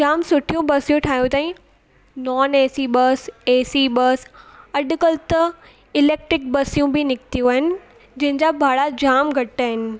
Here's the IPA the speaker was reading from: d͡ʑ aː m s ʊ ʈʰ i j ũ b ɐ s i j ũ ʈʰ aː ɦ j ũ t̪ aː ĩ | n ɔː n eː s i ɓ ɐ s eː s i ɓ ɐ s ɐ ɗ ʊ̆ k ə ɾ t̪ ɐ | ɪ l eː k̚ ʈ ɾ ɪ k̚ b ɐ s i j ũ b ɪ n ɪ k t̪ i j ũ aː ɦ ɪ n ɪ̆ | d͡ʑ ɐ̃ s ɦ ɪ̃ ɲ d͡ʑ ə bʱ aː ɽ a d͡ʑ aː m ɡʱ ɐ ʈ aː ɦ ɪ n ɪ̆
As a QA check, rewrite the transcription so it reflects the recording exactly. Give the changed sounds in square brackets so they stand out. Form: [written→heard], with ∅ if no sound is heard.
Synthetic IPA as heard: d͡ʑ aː m s ʊ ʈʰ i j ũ b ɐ s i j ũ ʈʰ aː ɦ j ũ t̪ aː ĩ | n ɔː n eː s i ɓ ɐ s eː s i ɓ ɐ s ɐ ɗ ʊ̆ k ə [ɾ→l] t̪ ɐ | ɪ l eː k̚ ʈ ɾ ɪ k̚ b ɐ s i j ũ b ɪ n ɪ k t̪ i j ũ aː ɦ ɪ n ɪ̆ | d͡ʑ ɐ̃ [s→∅] ɦ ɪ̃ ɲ d͡ʑ [ə→a] bʱ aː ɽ a d͡ʑ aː m ɡʱ ɐ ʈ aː ɦ ɪ n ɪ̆